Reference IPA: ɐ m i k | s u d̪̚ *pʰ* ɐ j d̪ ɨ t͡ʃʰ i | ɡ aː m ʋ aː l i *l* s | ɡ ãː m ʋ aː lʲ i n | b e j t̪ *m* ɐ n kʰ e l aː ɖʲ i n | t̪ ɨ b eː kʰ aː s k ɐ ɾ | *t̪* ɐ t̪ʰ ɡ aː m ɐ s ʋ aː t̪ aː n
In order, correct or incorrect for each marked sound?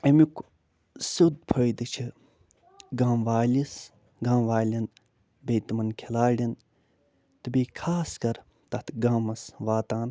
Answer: correct, incorrect: none, correct, correct

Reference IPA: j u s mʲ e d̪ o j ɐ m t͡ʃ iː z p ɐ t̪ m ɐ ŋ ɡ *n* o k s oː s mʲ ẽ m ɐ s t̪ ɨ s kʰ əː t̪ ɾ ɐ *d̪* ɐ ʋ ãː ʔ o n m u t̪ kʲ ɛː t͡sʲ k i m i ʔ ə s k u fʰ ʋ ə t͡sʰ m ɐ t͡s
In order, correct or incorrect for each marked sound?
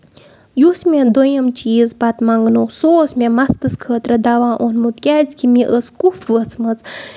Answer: correct, correct

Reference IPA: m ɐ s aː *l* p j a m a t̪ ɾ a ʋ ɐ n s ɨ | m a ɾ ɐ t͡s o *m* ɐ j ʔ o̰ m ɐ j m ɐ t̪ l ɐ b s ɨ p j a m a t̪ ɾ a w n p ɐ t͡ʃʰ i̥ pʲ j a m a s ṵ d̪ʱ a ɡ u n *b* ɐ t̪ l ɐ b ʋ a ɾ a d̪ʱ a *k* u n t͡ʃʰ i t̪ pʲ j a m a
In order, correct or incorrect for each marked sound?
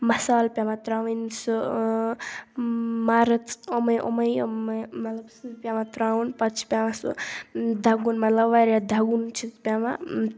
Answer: correct, correct, incorrect: m, incorrect: ɡ

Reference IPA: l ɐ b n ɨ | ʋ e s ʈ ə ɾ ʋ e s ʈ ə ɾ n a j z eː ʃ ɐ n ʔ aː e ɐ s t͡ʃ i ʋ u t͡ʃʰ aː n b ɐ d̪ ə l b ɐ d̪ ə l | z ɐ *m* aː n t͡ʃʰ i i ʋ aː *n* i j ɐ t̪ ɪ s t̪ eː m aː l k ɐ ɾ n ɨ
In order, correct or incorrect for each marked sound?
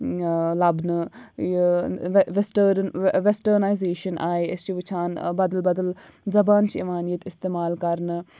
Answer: incorrect: b, correct

